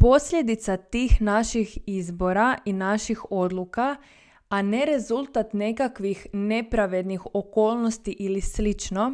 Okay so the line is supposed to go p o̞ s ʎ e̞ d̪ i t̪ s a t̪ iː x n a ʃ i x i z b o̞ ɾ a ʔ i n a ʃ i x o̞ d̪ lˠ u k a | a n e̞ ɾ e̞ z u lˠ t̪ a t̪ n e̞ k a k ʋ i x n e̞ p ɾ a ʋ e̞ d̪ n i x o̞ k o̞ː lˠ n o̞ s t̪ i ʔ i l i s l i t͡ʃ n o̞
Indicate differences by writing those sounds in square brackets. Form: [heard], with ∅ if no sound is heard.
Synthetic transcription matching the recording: p o̞ s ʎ e̞ d̪ i t̪ s a t̪ iː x n a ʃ i x i z b o̞ ɾ a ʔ i n a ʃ i x o̞ d̪ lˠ u k a | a n e̞ ɾ e̞ z u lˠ t̪ a t̪ n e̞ k a k ʋ i x n e̞ p ɾ a ʋ e̞ d̪ n i x o̞ k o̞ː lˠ n o̞ s t̪ i ʔ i l i s l i t͡ʃ n o̞